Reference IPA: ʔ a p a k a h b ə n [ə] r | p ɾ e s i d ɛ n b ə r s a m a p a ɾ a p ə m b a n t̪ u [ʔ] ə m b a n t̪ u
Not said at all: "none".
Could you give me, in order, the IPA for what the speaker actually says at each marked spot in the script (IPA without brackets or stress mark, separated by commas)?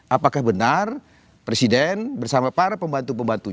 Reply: a, p